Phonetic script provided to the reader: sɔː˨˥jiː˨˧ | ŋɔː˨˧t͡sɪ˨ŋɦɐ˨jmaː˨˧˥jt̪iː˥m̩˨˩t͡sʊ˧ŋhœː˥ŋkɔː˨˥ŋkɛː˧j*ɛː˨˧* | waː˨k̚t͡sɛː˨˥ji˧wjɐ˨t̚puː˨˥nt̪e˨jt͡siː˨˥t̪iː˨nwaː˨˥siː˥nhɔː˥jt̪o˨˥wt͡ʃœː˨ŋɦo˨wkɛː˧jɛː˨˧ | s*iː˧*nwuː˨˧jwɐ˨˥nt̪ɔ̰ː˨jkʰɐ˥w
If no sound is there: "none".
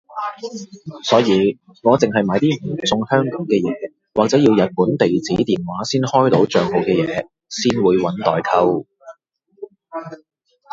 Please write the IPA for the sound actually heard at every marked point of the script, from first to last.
ɛː˨˧, iː˥

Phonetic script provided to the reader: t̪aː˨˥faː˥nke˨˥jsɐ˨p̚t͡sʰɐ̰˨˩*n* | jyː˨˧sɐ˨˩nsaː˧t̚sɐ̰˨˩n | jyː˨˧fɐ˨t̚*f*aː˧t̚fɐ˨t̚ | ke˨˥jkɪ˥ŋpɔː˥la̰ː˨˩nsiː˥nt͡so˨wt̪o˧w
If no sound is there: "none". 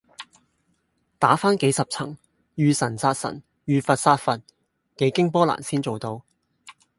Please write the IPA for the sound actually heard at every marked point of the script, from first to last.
ŋ, s

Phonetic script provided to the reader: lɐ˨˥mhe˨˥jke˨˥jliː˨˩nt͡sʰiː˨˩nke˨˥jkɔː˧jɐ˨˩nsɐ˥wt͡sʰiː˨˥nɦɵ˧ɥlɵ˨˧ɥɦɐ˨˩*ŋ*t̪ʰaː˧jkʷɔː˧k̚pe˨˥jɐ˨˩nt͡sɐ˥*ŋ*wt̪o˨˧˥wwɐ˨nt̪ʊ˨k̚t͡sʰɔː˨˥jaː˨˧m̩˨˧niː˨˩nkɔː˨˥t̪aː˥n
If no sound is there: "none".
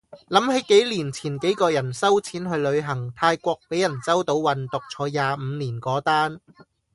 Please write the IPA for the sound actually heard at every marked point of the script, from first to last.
ŋ, none

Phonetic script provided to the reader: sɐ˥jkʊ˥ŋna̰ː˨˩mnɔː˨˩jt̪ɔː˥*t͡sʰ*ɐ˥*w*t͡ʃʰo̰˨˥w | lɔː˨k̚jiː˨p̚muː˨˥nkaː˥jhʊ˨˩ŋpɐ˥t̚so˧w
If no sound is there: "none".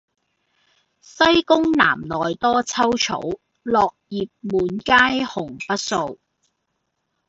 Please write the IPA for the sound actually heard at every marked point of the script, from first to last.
t͡sʰ, w

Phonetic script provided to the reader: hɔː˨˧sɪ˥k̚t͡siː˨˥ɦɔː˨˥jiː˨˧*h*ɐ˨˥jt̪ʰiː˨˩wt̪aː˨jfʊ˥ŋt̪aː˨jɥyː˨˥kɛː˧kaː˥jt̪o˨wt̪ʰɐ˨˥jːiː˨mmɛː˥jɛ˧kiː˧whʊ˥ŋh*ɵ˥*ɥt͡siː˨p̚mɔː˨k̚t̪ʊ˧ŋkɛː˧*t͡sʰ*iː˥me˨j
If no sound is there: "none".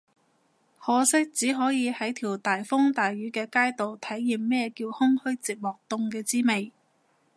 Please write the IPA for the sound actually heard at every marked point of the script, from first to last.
h, ɵ˥, t͡s

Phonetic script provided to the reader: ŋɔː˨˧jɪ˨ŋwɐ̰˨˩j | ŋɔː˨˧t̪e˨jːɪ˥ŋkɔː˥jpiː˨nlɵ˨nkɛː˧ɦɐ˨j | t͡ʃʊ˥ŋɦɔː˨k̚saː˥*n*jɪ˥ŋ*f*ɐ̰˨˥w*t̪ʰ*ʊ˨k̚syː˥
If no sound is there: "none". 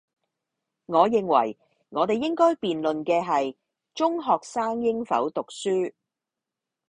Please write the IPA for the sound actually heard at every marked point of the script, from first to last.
ŋ, f, t̪

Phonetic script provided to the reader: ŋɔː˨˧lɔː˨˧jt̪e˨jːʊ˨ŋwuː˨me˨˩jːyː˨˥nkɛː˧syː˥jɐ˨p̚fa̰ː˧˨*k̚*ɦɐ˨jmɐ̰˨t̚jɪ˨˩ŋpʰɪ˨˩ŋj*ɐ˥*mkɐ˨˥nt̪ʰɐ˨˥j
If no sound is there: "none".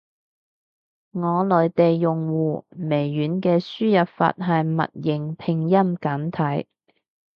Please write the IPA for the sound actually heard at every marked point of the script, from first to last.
t̚, ɐ˥

